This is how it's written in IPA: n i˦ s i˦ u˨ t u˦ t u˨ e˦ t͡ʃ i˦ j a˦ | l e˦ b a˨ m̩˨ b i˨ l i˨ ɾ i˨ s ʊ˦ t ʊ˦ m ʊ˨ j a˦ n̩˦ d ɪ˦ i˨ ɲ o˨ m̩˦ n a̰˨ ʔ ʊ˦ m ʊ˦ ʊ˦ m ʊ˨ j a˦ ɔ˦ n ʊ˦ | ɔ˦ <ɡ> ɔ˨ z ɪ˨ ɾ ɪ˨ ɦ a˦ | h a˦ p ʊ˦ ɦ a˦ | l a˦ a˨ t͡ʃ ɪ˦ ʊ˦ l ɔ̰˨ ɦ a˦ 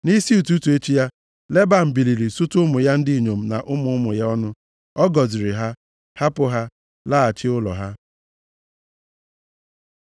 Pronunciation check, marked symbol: correct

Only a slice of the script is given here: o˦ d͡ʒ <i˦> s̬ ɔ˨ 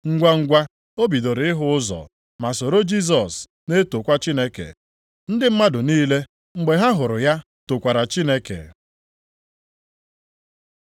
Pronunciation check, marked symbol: correct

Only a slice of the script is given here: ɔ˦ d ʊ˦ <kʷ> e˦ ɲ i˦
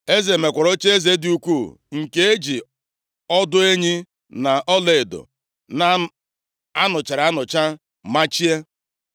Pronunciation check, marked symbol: incorrect: none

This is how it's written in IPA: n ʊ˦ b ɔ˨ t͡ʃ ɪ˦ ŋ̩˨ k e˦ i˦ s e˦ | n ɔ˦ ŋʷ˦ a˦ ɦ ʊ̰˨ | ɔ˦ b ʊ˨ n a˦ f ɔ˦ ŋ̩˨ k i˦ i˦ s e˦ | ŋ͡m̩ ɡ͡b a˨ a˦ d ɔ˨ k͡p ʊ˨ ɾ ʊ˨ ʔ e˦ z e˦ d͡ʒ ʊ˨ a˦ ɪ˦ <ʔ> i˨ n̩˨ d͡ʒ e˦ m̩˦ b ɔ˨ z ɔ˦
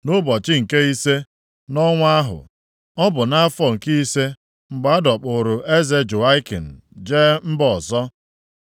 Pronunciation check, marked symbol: incorrect: k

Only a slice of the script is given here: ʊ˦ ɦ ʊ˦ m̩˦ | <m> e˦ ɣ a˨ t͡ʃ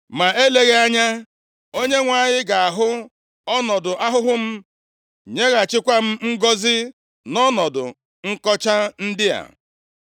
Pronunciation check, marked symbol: incorrect: ɲ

